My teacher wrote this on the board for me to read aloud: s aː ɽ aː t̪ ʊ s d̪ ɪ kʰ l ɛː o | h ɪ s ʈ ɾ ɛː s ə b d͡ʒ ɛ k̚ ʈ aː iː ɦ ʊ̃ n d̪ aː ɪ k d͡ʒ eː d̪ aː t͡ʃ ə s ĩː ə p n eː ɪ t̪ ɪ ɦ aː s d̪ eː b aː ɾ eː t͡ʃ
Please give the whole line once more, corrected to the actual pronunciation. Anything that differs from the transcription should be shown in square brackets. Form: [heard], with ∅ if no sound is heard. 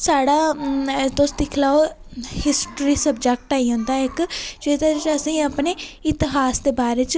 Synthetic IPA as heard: s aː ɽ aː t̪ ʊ s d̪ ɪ kʰ l [aː] o | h ɪ s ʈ ɾ [iː] s ə b d͡ʒ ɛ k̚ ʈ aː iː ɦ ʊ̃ n d̪ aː ɪ k d͡ʒ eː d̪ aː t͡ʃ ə s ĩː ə p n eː ɪ t̪ ɪ ɦ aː s d̪ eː b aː ɾ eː t͡ʃ